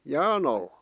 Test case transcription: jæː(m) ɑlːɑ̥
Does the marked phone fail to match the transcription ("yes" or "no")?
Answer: yes